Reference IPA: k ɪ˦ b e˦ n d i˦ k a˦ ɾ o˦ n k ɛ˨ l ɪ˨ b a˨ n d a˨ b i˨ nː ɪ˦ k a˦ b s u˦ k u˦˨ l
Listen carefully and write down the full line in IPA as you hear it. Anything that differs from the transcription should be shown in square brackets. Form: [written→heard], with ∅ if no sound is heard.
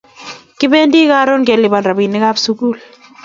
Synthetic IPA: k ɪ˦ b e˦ n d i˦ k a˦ ɾ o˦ n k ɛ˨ l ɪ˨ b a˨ n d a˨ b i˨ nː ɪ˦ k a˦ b s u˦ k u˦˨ l